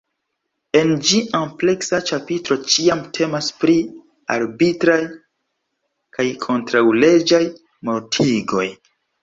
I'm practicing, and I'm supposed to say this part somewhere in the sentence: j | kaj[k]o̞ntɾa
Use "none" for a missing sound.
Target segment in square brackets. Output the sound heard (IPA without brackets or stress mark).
kʰ